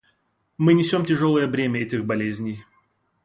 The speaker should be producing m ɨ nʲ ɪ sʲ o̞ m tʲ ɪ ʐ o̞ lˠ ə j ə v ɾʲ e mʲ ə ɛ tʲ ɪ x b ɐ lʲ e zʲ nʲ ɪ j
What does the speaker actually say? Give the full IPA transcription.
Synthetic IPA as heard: m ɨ nʲ ɪ sʲ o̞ m tʲ ɪ ʐ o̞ lˠ ə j ə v ɾʲ e mʲ ə ɛ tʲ ɪ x b ɐ lʲ e zʲ nʲ ɪ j